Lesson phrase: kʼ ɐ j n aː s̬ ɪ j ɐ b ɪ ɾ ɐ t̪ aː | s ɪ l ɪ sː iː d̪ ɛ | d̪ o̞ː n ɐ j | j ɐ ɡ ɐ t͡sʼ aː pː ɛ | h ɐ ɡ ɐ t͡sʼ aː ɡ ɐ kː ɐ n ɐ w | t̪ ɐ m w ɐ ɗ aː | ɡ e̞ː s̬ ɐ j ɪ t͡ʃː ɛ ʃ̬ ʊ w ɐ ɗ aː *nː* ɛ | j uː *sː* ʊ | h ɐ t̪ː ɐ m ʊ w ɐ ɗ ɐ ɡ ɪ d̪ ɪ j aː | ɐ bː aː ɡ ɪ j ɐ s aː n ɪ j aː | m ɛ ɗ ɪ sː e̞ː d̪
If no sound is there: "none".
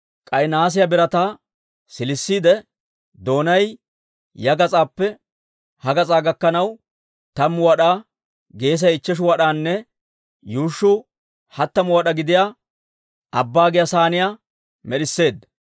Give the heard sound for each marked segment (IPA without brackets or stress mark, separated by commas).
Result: nː, ʃː